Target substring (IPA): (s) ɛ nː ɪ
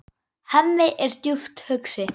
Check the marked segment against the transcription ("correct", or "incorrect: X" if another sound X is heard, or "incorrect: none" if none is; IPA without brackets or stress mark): incorrect: h